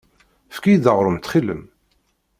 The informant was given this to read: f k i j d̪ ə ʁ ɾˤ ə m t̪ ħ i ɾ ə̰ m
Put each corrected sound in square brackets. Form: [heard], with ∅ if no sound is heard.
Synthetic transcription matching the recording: f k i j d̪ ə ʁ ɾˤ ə m t̪ [χ] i [l] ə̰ m